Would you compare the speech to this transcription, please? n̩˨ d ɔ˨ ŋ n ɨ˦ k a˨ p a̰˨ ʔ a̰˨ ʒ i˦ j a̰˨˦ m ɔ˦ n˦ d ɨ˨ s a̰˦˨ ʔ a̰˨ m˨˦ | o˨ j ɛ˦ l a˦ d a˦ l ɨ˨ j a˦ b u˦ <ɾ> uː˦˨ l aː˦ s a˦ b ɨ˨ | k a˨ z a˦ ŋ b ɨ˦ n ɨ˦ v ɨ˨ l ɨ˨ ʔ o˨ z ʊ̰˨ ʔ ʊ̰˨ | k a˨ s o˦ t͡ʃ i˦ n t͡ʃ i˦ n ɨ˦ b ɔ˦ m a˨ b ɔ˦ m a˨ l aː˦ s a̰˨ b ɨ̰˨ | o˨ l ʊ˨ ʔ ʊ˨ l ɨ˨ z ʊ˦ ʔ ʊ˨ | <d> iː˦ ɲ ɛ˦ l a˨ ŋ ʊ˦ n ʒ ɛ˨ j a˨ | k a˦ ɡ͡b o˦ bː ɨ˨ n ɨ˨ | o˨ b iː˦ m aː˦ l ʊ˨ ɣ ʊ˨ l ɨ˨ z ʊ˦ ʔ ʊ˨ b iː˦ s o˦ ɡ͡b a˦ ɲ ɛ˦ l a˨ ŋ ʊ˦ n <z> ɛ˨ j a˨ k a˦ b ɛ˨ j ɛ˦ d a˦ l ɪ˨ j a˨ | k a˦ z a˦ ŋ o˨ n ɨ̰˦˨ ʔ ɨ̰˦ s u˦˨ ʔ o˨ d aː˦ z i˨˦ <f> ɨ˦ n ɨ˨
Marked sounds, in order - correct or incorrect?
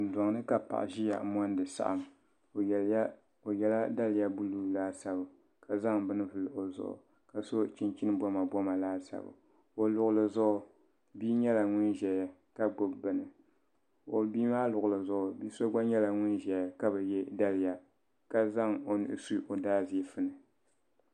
incorrect: l, incorrect: b, incorrect: ʒ, correct

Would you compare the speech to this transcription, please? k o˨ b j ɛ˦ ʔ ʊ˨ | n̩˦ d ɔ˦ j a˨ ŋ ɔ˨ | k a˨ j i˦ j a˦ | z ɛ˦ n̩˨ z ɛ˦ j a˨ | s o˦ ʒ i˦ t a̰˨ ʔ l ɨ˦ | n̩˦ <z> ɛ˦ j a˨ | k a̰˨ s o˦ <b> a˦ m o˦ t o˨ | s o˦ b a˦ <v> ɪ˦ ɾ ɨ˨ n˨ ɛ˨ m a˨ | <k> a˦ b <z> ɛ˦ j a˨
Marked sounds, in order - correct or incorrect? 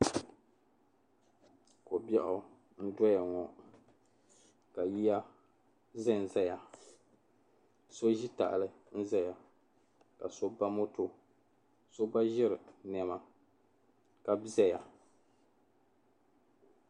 correct, correct, incorrect: ʒ, correct, correct

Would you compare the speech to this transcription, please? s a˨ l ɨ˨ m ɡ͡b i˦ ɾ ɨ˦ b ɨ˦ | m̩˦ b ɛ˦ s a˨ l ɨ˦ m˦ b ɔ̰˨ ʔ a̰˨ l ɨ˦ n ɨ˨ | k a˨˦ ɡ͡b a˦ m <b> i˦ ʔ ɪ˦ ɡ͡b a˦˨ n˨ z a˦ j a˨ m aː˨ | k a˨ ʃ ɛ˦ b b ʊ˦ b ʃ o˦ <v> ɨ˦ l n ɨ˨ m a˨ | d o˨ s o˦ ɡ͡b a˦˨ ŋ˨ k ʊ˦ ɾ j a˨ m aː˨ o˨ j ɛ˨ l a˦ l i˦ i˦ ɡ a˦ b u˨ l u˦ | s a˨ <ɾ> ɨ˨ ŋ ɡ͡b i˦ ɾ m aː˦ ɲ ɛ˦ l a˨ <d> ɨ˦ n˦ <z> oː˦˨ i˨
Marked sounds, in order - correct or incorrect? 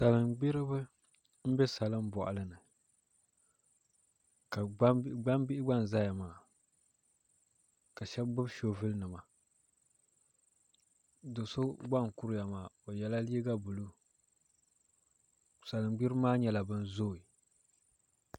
correct, correct, incorrect: l, incorrect: b, correct

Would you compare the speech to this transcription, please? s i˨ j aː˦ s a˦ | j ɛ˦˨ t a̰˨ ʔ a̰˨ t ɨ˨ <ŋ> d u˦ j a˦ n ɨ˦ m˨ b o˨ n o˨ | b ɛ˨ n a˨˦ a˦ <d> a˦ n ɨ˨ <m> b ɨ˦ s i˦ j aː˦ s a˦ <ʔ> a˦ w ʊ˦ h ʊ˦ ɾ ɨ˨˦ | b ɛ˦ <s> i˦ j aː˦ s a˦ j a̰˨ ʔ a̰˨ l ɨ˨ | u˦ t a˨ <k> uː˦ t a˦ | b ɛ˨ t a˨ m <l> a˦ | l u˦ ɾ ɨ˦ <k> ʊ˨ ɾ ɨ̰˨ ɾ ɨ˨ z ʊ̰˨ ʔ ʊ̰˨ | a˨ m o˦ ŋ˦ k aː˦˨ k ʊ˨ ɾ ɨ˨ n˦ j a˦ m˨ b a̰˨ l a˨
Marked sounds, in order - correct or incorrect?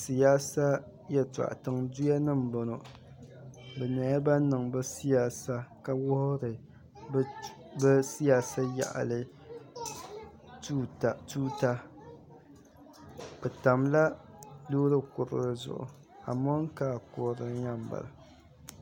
correct, incorrect: b, incorrect: ŋ, incorrect: k, correct, incorrect: t, correct, correct

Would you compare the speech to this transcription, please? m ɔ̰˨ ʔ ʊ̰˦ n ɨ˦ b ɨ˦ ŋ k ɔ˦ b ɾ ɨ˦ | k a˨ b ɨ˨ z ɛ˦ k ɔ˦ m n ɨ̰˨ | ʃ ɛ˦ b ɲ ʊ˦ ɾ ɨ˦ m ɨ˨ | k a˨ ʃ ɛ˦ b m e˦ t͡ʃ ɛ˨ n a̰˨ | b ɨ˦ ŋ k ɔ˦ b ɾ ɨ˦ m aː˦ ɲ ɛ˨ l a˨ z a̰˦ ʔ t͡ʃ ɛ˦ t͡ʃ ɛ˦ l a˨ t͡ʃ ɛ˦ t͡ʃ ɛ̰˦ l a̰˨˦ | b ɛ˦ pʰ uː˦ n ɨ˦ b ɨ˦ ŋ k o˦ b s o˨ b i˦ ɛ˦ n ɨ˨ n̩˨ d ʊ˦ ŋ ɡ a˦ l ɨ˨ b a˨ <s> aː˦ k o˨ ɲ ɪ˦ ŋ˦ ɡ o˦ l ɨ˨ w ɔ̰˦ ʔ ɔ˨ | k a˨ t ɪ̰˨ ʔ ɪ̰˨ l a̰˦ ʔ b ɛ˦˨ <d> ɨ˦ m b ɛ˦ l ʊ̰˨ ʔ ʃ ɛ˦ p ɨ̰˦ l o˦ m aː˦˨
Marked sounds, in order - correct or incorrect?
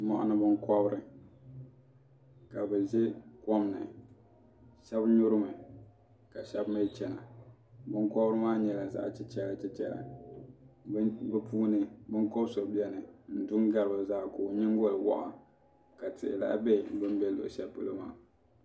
incorrect: z, incorrect: b

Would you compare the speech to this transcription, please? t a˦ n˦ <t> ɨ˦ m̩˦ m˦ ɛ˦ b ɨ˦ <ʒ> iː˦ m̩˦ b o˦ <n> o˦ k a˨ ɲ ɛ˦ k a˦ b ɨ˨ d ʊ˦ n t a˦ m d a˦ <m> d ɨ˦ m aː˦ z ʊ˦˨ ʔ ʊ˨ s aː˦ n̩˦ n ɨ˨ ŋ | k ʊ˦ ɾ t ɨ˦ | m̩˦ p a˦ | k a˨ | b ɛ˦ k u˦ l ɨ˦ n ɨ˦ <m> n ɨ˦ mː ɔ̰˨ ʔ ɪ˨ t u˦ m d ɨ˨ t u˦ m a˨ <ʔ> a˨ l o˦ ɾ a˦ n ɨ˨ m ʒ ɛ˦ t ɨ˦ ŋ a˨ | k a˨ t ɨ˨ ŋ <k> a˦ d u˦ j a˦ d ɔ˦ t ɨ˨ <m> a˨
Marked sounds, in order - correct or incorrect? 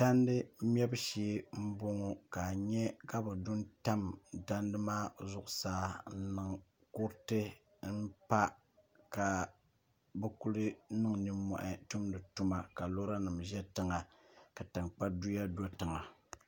incorrect: d, incorrect: ʃ, incorrect: ŋ, incorrect: n, incorrect: ŋ, incorrect: k, incorrect: k͡p, incorrect: ŋ

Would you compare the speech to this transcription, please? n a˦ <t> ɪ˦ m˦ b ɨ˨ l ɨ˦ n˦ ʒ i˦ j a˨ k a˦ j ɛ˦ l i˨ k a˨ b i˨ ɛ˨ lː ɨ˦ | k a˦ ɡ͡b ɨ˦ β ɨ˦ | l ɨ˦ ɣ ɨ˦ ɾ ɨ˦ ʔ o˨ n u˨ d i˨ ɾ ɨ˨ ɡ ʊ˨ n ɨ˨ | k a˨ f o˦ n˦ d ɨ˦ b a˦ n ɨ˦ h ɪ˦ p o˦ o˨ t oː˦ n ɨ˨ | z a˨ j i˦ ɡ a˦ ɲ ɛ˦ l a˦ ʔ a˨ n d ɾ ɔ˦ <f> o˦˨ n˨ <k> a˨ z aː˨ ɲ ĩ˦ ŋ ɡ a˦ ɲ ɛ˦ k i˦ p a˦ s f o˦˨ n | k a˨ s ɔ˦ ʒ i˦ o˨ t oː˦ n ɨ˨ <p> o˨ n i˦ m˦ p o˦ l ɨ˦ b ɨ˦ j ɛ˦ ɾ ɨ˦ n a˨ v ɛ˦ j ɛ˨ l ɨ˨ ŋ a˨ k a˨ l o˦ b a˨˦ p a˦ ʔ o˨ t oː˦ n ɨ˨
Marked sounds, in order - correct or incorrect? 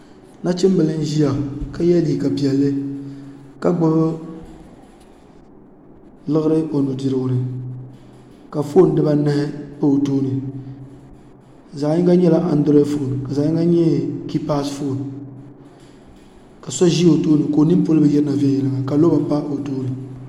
incorrect: t͡ʃ, correct, correct, incorrect: k

